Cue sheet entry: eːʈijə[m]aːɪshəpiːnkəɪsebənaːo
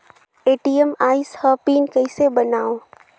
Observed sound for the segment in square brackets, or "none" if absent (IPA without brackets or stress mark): m